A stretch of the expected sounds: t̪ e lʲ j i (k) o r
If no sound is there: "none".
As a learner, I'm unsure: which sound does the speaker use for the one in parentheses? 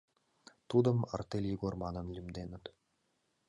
ɡ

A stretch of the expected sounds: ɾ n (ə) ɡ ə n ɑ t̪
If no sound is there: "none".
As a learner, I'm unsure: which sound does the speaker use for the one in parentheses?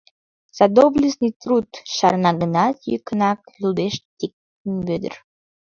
ɑ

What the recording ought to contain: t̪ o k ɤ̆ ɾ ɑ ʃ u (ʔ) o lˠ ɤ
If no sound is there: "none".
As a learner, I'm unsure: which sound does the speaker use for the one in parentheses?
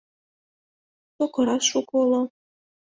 k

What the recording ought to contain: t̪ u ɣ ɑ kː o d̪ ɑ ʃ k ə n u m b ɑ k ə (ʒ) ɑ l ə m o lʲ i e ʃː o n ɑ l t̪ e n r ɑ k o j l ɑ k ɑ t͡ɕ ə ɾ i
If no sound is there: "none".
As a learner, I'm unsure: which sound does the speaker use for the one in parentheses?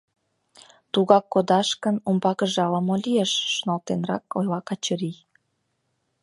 ʒ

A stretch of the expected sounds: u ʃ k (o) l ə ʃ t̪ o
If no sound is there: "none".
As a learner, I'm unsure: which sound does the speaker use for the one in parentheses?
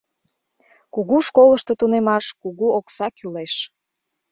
o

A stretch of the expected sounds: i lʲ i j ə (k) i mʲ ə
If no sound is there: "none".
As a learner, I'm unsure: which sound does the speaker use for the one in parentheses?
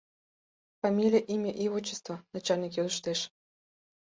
ʔ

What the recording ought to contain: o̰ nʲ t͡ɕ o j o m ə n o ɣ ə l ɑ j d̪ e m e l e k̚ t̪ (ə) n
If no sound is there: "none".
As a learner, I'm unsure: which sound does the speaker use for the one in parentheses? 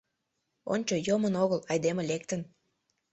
ə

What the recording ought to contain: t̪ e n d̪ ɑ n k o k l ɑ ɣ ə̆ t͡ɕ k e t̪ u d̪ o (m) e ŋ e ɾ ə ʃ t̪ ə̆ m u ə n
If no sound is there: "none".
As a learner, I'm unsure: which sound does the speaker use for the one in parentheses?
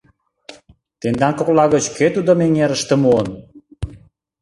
m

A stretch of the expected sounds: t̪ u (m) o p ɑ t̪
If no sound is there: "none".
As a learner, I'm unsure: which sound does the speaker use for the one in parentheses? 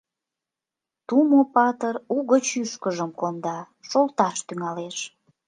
m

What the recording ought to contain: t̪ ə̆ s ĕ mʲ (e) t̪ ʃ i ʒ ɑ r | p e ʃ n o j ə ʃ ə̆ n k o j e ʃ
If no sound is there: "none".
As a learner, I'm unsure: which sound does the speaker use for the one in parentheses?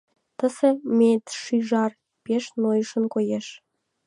e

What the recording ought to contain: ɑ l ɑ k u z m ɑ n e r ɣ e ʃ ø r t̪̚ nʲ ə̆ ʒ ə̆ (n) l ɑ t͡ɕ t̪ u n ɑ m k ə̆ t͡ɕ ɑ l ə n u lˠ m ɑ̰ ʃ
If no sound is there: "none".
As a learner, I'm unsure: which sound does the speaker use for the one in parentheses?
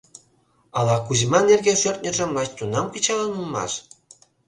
m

